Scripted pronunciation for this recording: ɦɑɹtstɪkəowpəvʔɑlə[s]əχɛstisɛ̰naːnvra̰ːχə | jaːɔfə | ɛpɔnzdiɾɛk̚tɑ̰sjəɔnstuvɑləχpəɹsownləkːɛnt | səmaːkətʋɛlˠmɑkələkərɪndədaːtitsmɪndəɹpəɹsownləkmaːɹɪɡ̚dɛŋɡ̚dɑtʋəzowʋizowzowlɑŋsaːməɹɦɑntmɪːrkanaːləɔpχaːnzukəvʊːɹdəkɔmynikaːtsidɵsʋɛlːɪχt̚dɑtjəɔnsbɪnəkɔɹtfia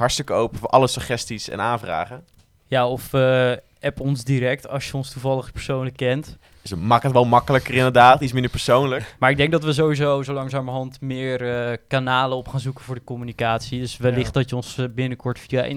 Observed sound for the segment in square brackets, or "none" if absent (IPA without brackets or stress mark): s